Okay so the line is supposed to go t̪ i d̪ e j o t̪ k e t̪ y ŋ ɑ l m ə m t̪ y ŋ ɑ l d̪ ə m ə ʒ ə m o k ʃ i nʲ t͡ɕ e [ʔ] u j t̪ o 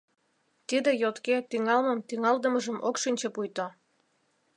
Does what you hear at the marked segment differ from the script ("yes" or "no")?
yes